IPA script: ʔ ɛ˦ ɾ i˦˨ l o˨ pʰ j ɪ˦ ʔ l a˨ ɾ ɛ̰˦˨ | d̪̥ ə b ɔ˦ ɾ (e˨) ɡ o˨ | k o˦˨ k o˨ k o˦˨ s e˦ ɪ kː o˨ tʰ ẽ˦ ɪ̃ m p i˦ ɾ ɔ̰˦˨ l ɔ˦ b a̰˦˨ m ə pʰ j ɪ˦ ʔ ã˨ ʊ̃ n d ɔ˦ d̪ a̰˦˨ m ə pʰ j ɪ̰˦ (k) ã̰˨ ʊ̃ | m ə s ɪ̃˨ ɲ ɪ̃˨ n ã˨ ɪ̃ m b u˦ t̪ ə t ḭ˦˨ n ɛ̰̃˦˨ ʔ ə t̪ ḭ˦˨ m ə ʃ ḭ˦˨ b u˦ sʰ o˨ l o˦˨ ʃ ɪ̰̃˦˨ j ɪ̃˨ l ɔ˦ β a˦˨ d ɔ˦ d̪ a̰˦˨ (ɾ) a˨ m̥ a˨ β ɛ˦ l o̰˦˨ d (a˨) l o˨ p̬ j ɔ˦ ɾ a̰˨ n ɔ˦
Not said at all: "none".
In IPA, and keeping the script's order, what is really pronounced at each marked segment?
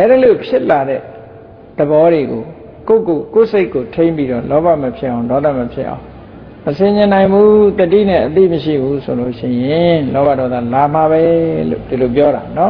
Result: e˨, ʔ, l, i˨

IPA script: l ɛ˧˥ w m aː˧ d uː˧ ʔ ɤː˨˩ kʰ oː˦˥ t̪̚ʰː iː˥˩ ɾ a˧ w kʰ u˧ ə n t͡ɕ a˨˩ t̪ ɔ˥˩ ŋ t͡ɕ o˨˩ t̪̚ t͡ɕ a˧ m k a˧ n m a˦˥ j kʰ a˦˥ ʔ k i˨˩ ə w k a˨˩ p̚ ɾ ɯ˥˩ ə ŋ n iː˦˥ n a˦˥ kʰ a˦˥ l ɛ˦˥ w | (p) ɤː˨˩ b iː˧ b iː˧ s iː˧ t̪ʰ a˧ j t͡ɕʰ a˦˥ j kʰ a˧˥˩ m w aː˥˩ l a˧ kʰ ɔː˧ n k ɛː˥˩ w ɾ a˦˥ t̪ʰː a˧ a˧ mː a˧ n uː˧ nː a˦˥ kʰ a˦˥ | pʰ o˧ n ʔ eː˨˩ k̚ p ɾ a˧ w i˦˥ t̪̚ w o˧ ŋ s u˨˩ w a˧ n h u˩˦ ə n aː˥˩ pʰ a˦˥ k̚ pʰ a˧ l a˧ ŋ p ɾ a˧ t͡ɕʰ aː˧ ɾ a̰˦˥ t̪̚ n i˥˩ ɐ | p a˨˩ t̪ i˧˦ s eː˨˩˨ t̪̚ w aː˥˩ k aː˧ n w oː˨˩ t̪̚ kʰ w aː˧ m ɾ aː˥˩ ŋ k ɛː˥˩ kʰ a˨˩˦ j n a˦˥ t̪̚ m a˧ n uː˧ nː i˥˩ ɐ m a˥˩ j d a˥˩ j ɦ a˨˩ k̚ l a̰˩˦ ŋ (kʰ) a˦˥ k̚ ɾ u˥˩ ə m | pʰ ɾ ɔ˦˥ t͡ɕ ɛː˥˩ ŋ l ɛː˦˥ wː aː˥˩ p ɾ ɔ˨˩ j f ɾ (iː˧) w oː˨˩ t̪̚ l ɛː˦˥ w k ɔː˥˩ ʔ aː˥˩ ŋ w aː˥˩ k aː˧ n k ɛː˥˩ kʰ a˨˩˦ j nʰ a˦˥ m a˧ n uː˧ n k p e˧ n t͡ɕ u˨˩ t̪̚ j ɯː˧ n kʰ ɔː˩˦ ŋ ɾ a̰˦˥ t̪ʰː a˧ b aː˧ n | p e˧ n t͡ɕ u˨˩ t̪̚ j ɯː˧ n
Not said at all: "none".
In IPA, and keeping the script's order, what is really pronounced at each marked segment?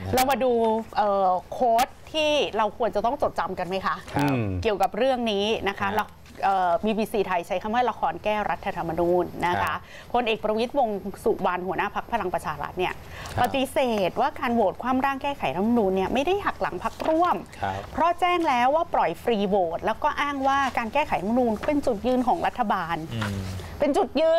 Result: ʔ, pʰ, iː˧

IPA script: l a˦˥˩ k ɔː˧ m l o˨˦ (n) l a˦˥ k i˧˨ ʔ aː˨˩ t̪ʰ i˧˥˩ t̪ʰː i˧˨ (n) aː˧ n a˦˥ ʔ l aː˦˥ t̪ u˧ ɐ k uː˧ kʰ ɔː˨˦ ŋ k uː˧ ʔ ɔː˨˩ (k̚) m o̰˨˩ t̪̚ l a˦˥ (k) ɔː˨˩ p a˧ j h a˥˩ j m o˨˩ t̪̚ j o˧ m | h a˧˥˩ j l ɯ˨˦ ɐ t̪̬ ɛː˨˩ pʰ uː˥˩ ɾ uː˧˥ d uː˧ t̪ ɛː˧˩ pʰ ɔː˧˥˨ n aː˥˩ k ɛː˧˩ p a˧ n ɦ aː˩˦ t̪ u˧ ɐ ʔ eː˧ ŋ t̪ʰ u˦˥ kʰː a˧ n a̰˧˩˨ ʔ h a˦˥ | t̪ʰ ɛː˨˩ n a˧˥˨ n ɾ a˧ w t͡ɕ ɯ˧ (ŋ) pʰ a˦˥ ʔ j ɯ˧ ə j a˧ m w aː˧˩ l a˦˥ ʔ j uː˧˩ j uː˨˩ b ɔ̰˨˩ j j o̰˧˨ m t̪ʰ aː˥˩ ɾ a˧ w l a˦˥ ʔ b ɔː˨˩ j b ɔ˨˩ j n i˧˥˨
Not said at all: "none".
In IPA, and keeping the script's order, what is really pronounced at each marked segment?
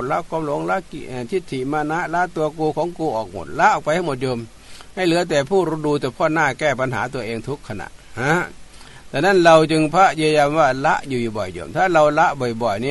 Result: ŋ, m, k̚, ʔ, ŋ

